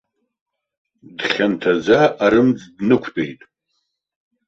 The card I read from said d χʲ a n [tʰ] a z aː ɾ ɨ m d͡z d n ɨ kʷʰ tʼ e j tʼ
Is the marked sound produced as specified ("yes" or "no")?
yes